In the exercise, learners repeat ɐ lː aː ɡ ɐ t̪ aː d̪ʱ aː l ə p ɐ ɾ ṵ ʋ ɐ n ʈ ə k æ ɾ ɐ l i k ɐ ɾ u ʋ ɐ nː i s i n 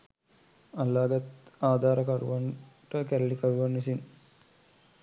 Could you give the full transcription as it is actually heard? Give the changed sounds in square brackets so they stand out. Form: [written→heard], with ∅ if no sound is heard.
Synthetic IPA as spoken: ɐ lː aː ɡ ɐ t̪ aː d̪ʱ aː [l→ɾ] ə [p→k] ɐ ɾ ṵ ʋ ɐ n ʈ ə k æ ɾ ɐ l i k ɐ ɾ u ʋ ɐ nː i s i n